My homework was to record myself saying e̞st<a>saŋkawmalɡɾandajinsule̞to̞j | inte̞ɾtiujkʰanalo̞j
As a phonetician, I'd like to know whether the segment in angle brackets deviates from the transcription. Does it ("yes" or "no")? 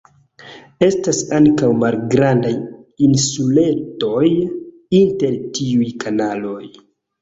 no